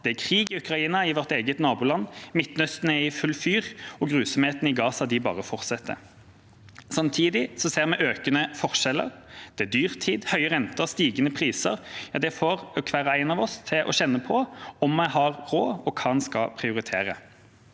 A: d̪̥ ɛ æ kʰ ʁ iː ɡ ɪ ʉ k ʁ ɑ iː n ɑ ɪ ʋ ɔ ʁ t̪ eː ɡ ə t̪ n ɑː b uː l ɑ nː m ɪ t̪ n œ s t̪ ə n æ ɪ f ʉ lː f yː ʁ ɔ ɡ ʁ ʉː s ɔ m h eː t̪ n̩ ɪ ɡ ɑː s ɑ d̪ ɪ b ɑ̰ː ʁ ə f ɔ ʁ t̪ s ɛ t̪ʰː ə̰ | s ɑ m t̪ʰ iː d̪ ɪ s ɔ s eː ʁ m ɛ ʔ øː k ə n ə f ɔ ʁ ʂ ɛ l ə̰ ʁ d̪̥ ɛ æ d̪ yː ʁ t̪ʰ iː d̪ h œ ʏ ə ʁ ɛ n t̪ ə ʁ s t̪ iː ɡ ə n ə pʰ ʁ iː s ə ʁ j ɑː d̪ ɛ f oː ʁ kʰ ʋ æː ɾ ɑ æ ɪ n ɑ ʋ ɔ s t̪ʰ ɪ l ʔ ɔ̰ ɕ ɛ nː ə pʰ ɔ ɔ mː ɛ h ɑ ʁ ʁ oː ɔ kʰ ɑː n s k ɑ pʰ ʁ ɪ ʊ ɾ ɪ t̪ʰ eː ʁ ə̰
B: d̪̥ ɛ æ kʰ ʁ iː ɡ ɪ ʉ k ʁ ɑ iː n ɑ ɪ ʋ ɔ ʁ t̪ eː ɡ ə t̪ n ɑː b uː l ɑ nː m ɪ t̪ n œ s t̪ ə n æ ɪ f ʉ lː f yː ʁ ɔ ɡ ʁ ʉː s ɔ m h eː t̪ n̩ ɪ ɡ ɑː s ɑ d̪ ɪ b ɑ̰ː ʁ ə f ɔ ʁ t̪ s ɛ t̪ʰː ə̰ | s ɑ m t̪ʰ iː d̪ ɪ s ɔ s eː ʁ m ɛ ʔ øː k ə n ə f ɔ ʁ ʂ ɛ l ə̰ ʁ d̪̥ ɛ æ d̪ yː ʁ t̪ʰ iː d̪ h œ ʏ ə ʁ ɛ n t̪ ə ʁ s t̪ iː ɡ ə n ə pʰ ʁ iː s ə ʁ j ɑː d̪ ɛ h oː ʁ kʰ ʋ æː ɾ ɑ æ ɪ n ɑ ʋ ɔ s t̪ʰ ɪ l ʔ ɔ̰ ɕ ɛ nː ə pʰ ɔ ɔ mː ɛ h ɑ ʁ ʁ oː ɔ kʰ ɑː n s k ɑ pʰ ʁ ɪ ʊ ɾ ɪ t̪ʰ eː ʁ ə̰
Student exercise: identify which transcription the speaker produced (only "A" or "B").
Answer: A